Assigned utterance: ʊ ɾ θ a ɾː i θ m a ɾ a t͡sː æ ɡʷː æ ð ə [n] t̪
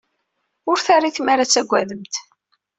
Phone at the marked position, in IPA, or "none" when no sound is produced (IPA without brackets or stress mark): m